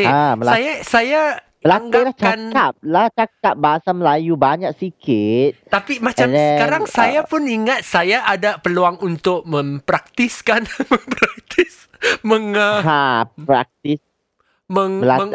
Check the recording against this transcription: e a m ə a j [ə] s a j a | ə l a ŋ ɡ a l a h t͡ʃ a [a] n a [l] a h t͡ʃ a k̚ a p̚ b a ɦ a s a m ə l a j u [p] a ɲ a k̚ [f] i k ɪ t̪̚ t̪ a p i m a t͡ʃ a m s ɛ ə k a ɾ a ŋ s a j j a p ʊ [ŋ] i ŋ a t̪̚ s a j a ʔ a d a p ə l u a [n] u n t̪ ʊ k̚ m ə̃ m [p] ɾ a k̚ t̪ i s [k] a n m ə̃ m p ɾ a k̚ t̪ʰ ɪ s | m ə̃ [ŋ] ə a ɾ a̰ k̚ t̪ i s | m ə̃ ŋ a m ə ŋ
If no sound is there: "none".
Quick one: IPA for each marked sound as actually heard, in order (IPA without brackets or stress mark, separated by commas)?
a, a, l, b, s, n, ŋ, p, k, ŋ